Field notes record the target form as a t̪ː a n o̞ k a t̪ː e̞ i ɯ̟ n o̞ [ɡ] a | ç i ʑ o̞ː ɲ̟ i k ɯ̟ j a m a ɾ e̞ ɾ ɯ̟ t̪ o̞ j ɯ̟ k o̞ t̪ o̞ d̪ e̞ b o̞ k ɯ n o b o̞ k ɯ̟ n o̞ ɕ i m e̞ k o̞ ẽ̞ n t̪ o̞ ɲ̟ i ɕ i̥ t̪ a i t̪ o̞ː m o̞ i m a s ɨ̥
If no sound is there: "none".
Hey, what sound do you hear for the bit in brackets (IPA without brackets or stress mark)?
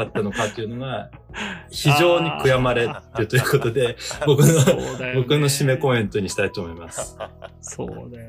ɡ